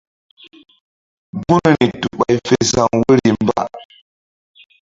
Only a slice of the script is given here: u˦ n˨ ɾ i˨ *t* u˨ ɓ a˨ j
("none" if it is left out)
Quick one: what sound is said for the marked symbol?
t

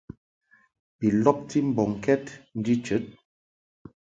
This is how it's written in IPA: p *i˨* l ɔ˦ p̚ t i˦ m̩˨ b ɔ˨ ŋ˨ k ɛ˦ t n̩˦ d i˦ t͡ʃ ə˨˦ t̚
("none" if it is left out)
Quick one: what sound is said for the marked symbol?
i˨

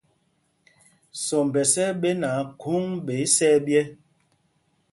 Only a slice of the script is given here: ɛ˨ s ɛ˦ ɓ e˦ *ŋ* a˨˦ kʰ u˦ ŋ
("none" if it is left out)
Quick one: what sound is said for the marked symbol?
n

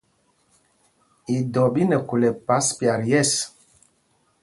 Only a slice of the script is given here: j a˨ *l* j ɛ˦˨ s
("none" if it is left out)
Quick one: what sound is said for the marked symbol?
ɾ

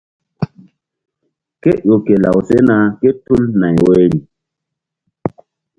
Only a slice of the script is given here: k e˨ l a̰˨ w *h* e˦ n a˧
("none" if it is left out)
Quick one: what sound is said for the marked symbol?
s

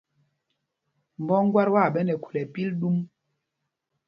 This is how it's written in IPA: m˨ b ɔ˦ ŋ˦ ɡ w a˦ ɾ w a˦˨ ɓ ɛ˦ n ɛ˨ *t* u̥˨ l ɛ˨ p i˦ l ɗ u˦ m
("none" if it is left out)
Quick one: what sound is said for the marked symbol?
k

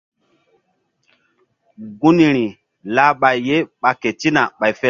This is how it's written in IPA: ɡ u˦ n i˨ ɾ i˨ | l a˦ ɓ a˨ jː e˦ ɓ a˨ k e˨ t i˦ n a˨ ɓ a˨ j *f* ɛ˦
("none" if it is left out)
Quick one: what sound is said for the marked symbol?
f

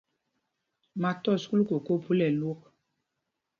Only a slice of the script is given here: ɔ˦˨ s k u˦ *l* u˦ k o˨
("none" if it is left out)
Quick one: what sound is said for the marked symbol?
l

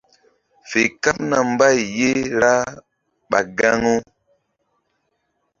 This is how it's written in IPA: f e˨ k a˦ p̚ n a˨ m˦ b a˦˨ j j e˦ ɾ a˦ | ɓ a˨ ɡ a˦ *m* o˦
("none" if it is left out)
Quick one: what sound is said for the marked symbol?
ŋ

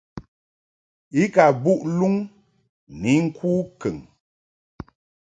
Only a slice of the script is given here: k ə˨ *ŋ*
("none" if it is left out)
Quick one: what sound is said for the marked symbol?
ŋ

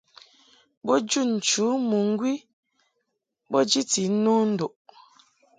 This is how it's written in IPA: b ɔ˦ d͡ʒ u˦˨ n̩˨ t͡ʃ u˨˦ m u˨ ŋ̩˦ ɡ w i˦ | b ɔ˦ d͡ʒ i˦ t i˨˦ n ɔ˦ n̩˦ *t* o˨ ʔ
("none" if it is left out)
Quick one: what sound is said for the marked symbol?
d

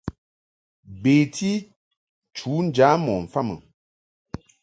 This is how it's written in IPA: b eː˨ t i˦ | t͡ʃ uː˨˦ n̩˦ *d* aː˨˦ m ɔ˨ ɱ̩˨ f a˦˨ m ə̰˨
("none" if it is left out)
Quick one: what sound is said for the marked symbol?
d͡ʒ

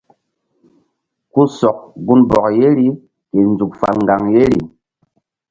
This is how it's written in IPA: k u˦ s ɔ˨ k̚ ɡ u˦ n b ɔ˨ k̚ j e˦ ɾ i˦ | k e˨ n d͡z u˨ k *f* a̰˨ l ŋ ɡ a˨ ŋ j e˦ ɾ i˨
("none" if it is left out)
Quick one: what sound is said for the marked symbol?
f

